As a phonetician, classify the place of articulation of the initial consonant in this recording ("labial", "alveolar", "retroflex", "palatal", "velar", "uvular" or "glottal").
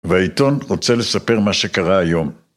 labial